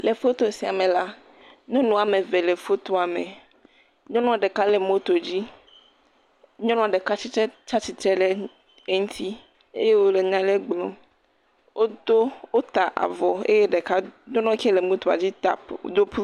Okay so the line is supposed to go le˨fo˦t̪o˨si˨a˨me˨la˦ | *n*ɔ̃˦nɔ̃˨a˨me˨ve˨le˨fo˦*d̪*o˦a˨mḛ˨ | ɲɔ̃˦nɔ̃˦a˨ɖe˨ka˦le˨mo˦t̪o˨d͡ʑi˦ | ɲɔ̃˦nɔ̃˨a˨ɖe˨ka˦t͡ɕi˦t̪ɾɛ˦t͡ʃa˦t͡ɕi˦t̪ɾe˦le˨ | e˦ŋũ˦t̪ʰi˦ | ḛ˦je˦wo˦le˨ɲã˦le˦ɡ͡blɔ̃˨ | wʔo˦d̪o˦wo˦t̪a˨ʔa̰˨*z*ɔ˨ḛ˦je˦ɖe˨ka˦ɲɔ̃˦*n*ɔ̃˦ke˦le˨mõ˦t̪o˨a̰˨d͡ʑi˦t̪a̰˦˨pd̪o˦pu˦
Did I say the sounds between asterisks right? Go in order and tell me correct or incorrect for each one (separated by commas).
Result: incorrect, incorrect, incorrect, correct